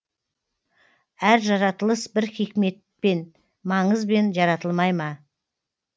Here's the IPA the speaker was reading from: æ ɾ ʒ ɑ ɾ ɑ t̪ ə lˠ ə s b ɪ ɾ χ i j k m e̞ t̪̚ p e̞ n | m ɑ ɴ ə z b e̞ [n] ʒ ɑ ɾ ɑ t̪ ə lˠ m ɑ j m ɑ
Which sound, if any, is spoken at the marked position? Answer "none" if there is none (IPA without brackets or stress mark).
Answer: n